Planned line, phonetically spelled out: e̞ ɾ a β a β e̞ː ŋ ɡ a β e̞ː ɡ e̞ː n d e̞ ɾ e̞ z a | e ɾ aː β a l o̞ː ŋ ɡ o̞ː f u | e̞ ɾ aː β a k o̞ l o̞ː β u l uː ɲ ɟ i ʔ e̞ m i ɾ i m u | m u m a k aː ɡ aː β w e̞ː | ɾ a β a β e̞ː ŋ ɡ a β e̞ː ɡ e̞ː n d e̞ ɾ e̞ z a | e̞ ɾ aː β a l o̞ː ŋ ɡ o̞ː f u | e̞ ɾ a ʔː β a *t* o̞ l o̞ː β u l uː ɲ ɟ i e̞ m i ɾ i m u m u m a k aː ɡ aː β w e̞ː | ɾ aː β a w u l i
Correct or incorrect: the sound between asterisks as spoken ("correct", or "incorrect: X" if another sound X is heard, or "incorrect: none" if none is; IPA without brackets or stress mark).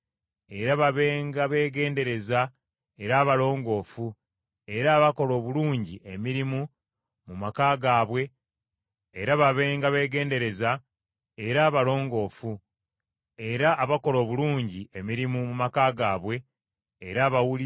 incorrect: k